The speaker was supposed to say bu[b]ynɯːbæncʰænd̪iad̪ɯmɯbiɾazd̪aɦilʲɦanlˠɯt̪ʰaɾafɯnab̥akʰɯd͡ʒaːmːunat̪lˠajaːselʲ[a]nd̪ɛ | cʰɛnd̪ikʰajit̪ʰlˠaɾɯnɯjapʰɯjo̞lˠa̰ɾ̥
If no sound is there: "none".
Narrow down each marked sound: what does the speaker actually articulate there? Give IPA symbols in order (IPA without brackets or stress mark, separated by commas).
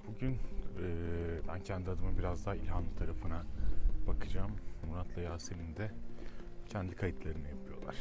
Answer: ɟ, i